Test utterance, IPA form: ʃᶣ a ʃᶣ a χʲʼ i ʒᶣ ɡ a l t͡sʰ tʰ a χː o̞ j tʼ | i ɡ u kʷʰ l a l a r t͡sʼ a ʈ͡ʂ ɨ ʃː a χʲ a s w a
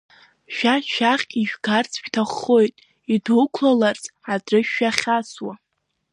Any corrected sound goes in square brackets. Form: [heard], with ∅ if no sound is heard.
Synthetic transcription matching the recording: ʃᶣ a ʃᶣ a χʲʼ i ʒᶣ ɡ a [r] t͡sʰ tʰ a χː o̞ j tʼ | i [d] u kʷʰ l a l a r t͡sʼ a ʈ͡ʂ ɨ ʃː a χʲ a s w a